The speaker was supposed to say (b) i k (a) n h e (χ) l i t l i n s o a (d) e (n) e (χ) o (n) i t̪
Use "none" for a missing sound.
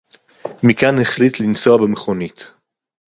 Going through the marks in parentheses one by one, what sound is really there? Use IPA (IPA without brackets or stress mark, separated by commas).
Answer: m, a, χ, b, m, χ, n